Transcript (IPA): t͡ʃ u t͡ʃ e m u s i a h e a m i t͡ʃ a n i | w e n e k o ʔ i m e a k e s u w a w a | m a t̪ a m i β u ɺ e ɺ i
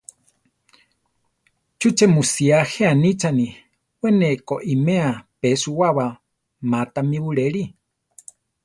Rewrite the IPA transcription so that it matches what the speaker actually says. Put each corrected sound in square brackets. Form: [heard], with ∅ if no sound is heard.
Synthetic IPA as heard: t͡ʃ u t͡ʃ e m u s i a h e a [n] i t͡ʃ a n i | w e n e k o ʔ i m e a [p] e s u w a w a | m a t̪ a m i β u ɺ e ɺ i